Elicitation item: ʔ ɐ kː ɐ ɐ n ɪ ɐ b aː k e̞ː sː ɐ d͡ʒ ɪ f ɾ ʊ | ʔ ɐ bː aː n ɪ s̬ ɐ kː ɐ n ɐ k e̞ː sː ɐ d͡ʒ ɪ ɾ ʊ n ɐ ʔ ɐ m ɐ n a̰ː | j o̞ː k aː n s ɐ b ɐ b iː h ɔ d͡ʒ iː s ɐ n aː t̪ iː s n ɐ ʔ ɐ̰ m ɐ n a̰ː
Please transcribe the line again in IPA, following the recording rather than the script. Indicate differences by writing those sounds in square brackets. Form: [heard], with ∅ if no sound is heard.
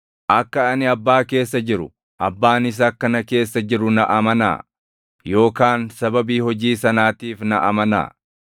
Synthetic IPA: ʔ ɐ kː ɐ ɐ n ɪ ɐ [bː] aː k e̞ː sː ɐ d͡ʒ ɪ [∅] ɾ ʊ | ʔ ɐ bː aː n ɪ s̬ ɐ kː ɐ n ɐ k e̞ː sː ɐ d͡ʒ ɪ ɾ ʊ n ɐ ʔ ɐ m ɐ n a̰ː | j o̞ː k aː n s ɐ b ɐ b iː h ɔ d͡ʒ iː s ɐ n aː t̪ iː [f] n ɐ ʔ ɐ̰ m ɐ n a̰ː